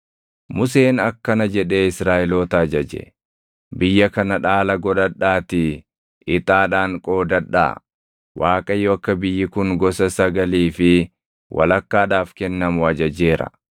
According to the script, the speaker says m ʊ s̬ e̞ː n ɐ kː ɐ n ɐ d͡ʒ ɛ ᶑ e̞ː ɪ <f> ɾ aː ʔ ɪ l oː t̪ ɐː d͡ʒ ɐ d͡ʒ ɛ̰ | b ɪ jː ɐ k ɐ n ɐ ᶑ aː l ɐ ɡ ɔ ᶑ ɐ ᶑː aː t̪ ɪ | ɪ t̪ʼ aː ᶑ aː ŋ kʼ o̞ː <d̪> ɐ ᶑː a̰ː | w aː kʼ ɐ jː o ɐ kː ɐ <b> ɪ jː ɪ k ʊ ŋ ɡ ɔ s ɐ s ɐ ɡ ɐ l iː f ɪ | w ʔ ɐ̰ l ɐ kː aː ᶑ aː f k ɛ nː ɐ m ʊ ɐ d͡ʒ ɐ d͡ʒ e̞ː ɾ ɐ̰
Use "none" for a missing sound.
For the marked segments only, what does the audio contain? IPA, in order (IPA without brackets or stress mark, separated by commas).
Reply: s, d̪, b